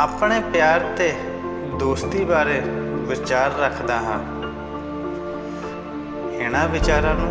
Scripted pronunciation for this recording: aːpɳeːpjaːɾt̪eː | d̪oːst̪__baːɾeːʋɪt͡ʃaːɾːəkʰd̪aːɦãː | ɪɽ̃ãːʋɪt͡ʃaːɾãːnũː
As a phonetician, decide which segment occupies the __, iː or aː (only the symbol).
iː